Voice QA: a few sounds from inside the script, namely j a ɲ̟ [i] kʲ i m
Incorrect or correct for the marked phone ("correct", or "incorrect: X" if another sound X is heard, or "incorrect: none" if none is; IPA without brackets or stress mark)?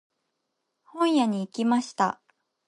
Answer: incorrect: iː